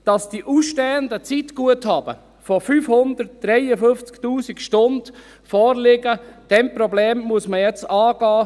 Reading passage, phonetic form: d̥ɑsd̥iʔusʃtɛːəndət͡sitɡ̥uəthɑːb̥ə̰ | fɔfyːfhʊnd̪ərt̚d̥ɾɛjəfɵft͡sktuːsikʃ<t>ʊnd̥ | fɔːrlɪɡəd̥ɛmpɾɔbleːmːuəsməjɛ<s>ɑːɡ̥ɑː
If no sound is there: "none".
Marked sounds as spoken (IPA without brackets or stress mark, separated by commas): t, t͡s